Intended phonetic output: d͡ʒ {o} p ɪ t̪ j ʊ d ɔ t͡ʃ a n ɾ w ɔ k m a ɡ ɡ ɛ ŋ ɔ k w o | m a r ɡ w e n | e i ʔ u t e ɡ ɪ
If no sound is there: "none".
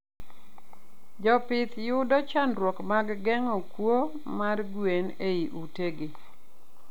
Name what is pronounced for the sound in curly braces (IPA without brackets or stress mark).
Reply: ɔ